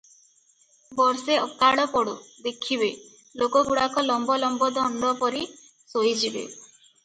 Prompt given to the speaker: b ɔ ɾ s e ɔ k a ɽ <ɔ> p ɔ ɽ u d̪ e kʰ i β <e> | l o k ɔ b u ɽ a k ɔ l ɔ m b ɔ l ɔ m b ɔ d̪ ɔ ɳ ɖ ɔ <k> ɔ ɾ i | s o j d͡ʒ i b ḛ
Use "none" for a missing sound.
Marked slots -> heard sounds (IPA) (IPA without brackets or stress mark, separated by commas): ɔ, e, p